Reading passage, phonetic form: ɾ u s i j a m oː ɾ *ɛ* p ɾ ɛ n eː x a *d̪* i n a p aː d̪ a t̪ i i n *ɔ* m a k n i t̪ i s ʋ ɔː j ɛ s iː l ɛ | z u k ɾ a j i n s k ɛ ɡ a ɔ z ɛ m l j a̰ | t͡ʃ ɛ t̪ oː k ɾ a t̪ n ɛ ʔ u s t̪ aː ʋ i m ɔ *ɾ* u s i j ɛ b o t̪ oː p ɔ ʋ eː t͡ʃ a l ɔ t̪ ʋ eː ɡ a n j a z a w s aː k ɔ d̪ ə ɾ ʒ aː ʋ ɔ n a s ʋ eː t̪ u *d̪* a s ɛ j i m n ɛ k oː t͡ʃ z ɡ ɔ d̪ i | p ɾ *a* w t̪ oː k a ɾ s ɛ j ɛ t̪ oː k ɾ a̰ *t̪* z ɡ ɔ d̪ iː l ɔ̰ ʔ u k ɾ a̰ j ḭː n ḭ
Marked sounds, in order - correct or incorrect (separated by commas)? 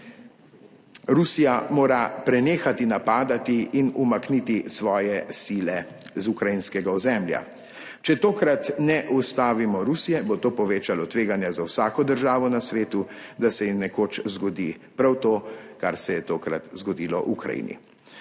incorrect, incorrect, incorrect, correct, correct, correct, correct